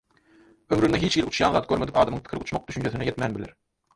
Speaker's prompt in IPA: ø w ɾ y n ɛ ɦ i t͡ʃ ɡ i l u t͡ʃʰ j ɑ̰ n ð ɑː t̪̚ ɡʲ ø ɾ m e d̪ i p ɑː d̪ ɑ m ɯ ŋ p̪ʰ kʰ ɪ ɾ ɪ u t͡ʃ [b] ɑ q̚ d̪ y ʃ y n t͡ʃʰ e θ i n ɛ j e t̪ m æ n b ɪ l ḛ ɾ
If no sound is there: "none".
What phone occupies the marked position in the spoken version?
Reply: m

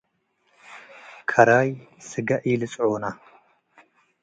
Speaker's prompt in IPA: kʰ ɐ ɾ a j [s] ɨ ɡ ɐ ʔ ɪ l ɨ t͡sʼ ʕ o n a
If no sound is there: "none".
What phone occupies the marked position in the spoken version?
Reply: s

